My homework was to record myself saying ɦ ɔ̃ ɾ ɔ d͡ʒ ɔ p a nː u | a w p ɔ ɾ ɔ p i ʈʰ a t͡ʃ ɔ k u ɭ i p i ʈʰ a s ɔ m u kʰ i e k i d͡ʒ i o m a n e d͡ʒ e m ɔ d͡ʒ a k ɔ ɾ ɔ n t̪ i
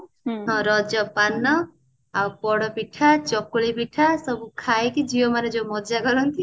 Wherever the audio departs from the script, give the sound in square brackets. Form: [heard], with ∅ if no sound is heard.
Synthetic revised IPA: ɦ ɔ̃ ɾ ɔ d͡ʒ ɔ p a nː [ɔ] | a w p ɔ [ɽ] ɔ p i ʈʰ a t͡ʃ ɔ k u ɭ i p i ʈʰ a s ɔ [b] u kʰ [a] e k i d͡ʒ i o m a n e d͡ʒ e m ɔ d͡ʒ a [ɡ] ɔ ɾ ɔ n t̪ i